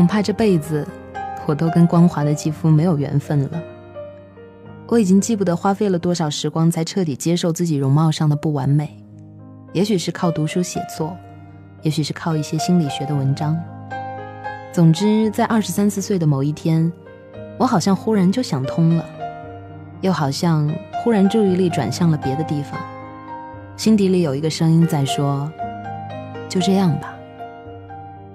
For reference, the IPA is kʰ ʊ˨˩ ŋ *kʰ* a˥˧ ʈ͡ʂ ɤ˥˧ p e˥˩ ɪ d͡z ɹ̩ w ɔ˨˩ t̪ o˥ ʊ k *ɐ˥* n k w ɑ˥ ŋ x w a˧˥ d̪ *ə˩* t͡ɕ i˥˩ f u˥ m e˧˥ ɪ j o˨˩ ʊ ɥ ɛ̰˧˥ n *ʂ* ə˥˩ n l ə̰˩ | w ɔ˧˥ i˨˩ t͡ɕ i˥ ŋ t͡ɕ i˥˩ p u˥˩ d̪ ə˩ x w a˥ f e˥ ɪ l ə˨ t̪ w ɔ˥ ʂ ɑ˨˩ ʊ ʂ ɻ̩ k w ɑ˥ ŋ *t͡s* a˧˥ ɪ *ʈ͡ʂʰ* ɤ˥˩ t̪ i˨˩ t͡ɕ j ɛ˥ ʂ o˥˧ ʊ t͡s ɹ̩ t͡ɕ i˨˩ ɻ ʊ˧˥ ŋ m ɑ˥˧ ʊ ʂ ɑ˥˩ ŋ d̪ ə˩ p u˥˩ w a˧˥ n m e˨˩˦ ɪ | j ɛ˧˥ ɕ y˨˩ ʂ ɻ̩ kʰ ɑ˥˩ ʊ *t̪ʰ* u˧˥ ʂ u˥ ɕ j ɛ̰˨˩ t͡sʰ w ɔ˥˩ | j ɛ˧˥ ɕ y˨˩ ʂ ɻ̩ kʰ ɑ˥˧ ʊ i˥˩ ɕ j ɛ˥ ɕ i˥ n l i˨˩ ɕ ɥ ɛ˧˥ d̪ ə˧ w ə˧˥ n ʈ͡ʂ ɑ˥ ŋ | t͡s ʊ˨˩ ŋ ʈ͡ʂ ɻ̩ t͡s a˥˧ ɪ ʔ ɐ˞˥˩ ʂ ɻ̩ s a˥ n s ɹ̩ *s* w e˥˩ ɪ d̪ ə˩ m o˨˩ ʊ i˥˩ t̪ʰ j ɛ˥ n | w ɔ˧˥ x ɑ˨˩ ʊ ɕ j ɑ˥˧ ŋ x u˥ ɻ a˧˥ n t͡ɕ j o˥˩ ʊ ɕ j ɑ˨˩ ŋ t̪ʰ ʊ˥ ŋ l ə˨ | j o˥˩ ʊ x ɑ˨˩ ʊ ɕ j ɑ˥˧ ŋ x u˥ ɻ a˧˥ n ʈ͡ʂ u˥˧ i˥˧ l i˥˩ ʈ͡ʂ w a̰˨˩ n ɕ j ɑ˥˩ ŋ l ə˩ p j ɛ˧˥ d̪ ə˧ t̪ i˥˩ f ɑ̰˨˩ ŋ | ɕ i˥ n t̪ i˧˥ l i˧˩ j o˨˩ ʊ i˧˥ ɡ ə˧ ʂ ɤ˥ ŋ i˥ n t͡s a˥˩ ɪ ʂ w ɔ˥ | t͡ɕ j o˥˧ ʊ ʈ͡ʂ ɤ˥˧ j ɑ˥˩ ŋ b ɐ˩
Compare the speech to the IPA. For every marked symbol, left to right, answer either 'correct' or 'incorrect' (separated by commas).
incorrect, incorrect, incorrect, incorrect, incorrect, correct, incorrect, correct